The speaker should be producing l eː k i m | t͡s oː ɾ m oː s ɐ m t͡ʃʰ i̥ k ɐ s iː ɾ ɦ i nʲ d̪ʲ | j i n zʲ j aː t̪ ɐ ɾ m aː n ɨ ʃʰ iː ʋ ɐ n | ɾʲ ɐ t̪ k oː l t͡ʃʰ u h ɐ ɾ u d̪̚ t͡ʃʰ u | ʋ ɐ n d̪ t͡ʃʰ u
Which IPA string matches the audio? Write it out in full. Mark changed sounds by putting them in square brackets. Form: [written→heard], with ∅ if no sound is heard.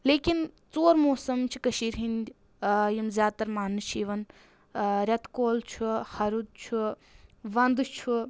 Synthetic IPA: l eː k i [m→n] | t͡s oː ɾ m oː s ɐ m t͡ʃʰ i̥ k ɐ [s→ʃ] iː ɾ ɦ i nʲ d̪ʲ | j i [n→m] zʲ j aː t̪ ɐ ɾ m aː n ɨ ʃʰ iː ʋ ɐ n | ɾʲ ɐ t̪ k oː l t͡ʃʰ u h ɐ ɾ u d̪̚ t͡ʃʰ u | ʋ ɐ n d̪ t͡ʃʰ u